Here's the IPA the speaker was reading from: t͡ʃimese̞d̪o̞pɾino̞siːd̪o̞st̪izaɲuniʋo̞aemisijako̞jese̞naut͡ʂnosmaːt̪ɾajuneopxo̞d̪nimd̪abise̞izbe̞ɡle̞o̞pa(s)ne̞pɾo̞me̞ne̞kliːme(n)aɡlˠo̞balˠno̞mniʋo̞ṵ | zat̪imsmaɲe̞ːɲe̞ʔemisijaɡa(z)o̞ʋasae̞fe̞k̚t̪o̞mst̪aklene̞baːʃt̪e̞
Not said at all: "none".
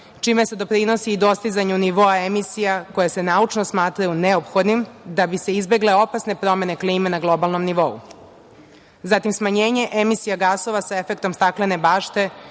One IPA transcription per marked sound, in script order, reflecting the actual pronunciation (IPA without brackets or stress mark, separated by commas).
s, n, s